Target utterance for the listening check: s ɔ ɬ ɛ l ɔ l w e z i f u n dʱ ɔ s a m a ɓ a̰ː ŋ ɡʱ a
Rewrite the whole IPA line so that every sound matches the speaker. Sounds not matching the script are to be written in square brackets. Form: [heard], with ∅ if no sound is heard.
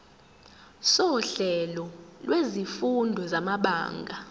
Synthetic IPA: s ɔ ɬ ɛ l ɔ l w e z i f u n dʱ ɔ [z] a m a ɓ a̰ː ŋ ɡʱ a